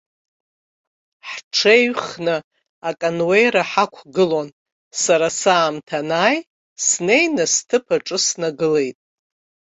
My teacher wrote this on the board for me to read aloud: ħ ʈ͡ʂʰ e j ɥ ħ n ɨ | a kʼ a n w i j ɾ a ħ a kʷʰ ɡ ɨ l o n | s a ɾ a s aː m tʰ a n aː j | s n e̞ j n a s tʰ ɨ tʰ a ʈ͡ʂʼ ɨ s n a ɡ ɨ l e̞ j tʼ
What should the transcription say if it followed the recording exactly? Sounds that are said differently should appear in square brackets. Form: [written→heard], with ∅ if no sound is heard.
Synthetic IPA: ħ ʈ͡ʂʰ e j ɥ [ħ→χ] n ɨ | a kʼ a n w [i→e] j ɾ a ħ a kʷʰ ɡ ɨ l o n | s a ɾ a s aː m tʰ a n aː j | s n e̞ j n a s tʰ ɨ [tʰ→pʰ] a ʈ͡ʂʼ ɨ s n a ɡ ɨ l e̞ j tʼ